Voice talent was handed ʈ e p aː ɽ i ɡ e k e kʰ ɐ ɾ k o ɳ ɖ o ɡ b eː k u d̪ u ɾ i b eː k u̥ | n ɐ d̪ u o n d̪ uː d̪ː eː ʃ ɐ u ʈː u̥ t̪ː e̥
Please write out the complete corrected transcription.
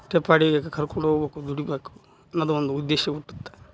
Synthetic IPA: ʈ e p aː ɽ i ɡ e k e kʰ ɐ ɾ k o ɳ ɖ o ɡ b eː k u d̪ u ɽ i b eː k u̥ | n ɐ d̪ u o n d̪ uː d̪ː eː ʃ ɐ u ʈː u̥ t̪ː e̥

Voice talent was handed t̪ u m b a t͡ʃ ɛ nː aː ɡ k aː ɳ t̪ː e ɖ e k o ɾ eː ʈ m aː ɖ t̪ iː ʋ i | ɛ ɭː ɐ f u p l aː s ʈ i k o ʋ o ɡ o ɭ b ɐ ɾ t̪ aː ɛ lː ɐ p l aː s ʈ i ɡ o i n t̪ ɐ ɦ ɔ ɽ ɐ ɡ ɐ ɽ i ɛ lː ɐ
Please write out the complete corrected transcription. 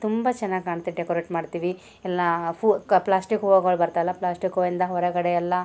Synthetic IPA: t̪ u m b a t͡ʃ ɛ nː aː ɡ k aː ɳ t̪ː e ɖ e k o ɾ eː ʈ m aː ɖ t̪ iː ʋ i | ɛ lː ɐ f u p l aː s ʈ i k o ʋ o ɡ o ɭ b ɐ ɾ t̪ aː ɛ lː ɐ p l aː s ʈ i k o i n d̪ ɐ ɦ ɔ ɾ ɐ ɡ ɐ ɽ e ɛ lː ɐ

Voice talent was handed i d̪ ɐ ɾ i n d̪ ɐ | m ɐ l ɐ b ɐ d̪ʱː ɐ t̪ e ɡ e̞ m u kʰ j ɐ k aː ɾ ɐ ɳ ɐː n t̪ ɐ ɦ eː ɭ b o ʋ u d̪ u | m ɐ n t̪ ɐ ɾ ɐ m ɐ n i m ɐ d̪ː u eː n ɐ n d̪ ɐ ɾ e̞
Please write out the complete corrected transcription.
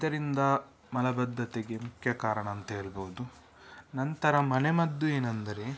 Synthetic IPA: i d̪ ɐ ɾ i n d̪ ɐ | m ɐ l ɐ b ɐ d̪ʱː ɐ t̪ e ɡ e̞ m u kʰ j ɐ k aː ɾ ɐ ɳ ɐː n t̪ ɐ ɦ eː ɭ b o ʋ u d̪ u | n ɐ n t̪ ɐ ɾ ɐ m ɐ n e m ɐ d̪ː u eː n ɐ n d̪ ɐ ɾ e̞

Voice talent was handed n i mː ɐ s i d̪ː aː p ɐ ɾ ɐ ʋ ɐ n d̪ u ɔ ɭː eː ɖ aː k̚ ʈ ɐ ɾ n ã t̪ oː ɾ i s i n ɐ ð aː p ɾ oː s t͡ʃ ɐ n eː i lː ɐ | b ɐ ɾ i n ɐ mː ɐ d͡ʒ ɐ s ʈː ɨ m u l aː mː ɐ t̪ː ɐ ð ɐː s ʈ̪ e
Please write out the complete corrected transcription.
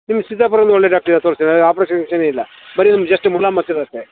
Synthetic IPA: n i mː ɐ s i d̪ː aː p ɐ ɾ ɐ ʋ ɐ n d̪ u ɔ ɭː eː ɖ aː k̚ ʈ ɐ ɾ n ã t̪ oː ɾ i s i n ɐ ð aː p ɾ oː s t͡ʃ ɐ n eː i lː ɐ | b ɐ ɾ i n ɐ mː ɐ d͡ʒ ɐ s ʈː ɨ m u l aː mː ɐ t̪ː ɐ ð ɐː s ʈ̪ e

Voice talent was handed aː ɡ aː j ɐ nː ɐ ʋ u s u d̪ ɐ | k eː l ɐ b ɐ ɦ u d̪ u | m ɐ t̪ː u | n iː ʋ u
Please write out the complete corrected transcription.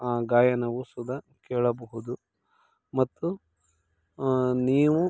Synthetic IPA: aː ɡ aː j ɐ n ɐ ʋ u s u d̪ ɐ | k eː ɭ ɐ b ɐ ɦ u d̪ u | m ɐ t̪ː u | n iː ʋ u

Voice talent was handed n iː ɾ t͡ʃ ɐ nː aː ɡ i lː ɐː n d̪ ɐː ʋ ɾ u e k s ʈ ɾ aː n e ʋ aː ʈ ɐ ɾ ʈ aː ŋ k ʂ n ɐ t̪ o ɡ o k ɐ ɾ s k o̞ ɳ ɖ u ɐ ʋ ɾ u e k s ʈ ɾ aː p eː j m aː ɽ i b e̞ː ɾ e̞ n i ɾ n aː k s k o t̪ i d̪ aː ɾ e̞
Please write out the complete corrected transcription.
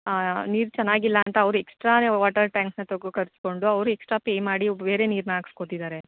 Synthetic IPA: n iː ɾ t͡ʃ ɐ nː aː ɡ i lː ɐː n t̪ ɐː ʋ ɾ u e k s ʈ ɾ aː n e ʋ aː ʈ ɐ ɾ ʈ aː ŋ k s n ɐ t̪ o ɡ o k ɐ ɾ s k o̞ ɳ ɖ u ɐ ʋ ɾ u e k s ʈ ɾ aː p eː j m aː ɽ i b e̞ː ɾ e̞ n iː ɾ n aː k s k o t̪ i d̪ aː ɾ e̞

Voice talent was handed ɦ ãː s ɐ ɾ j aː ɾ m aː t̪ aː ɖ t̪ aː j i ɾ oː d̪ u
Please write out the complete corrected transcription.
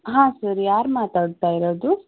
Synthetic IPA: ɦ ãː s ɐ ɾ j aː ɾ m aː t̪ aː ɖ t̪ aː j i ɾ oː d̪ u

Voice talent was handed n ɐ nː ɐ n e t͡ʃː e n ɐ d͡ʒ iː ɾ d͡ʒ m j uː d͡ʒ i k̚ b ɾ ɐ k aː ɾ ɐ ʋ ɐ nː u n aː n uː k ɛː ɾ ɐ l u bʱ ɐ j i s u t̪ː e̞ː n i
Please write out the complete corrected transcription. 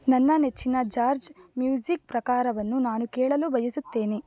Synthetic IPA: n ɐ nː ɐ n e t͡ʃː i n ɐ d͡ʒ aː ɾ d͡ʒ m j uː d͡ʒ i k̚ p ɾ ɐ k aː ɾ ɐ ʋ ɐ nː u n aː n u k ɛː ɭ ɐ l u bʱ ɐ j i s u t̪ː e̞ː n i

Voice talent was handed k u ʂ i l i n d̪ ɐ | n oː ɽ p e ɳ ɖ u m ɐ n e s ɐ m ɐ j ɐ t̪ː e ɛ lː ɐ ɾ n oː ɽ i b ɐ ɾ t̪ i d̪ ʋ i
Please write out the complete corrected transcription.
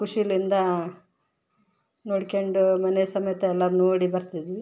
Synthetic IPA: k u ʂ i l i n d̪ ɐ | n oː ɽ k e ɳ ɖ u m ɐ n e s ɐ m ɐ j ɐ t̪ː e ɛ lː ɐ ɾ n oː ɽ i b ɐ ɾ t̪ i d̪ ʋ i

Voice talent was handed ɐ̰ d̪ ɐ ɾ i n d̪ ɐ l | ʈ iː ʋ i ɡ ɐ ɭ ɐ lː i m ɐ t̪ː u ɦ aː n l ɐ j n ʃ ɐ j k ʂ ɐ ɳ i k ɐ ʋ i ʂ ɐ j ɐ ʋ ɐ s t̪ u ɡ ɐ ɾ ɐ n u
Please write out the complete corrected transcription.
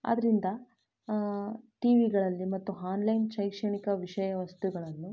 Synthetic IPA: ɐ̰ d̪ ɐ ɾ i n d̪ ɐ | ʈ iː ʋ i ɡ ɐ ɭ ɐ lː i m ɐ t̪ː u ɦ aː n l ɐ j n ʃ ɐ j k ʂ ɐ ɳ i k ɐ ʋ i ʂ ɐ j ɐ ʋ ɐ s t̪ u ɡ ɐ ɭ ɐ nː u

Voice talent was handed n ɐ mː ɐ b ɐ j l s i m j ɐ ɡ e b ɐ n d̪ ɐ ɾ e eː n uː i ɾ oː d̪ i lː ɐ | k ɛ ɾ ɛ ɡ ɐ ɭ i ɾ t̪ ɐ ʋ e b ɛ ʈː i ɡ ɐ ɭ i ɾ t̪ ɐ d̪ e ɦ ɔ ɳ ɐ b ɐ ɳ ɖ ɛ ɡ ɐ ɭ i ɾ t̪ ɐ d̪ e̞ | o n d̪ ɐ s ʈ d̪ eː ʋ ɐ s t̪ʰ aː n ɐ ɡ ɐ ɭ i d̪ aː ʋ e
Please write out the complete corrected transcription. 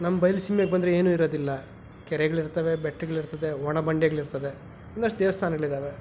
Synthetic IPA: n ɐ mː ɐ b ɐ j l s i m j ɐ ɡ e b ɐ n d̪ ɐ ɾ e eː n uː i ɾ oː d̪ i lː ɐ | k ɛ ɾ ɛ ɡ ɐ ɭ i ɾ t̪ ɐ ʋ e b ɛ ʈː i ɡ ɐ ɭ i ɾ t̪ ɐ d̪ e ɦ ɔ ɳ ɐ b ɐ ɳ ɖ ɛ ɡ ɐ ɭ i ɾ t̪ ɐ d̪ e̞ | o n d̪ ɐ ʂ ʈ d̪ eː ʋ ɐ s t̪ʰ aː n ɐ ɡ ɐ ɭ i d̪ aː ʋ e

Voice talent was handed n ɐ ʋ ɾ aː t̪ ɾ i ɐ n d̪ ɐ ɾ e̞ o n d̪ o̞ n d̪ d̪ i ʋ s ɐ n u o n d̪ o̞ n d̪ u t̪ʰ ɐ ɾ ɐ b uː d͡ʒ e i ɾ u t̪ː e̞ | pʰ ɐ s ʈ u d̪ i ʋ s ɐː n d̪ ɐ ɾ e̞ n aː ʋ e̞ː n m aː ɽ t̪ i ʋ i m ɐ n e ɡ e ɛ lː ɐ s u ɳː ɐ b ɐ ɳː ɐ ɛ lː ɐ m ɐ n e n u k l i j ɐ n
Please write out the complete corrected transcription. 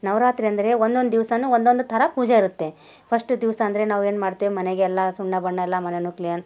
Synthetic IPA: n ɐ ʋ ɾ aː t̪ ɾ i ɐ n d̪ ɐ ɾ e̞ o n d̪ o̞ n d̪ d̪ i ʋ s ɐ n u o n d̪ o̞ n d̪ u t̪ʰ ɐ ɾ ɐ p uː d͡ʒ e i ɾ u t̪ː e̞ | pʰ ɐ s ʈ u d̪ i ʋ s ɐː n d̪ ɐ ɾ e̞ n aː ʋ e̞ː n m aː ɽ t̪ i ʋ i m ɐ n e ɡ e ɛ lː ɐ s u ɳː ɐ b ɐ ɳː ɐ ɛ lː ɐ m ɐ n e n u k l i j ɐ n

